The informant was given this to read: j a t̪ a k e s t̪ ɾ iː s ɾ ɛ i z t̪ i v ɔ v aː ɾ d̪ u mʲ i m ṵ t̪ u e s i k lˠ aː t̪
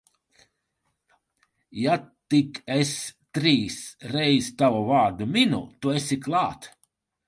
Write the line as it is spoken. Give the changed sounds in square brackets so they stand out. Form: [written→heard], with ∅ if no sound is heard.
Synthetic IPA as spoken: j a t̪ [a→i] k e s t̪ ɾ iː s ɾ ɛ [i→j] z t̪ [i→a] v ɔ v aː ɾ d̪ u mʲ i [m→n] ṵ t̪ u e s i k lˠ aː t̪